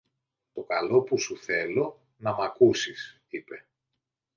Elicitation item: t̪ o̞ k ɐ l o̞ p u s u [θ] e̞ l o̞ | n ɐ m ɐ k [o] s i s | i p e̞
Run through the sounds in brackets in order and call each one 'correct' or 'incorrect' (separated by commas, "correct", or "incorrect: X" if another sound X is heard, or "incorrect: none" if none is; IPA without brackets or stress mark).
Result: correct, incorrect: u